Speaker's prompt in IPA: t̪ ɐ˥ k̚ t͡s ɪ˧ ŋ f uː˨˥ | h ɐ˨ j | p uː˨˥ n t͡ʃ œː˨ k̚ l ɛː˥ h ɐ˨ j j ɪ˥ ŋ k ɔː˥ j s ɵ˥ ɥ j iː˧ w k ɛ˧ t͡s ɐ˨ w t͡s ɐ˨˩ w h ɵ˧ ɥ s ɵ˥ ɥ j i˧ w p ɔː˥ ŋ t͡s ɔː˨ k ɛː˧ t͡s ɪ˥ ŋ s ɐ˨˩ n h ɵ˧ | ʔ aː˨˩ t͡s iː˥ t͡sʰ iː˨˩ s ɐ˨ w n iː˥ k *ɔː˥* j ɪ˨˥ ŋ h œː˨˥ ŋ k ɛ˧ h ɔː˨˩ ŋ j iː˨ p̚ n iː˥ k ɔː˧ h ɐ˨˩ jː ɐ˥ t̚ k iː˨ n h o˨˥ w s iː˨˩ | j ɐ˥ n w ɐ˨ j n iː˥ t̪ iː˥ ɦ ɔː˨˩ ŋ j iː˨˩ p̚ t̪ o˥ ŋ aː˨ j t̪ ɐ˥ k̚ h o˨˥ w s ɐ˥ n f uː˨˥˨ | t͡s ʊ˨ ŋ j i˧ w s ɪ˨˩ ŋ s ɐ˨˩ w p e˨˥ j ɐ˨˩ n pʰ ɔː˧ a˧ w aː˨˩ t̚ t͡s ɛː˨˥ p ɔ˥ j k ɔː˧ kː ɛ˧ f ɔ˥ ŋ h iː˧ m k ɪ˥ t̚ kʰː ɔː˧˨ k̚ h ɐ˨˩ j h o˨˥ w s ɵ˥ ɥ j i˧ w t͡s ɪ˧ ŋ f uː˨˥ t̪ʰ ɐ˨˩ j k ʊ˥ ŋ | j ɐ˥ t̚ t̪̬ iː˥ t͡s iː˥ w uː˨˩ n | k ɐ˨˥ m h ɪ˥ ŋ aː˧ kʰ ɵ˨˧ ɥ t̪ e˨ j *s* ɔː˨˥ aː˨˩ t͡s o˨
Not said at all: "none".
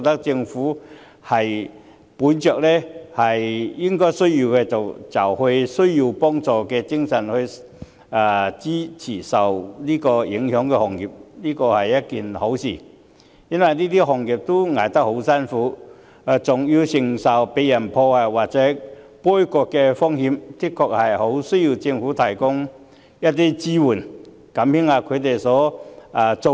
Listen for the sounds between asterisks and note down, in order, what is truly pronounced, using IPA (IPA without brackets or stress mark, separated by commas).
ɔː˧, s